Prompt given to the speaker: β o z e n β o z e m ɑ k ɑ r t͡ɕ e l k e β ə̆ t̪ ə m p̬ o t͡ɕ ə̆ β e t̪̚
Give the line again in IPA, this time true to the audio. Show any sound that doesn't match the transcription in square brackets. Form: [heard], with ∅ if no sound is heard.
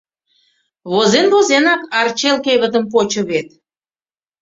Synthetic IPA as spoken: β o z e n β o z e [n] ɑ k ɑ r t͡ɕ e l k e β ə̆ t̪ ə m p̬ o t͡ɕ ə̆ β e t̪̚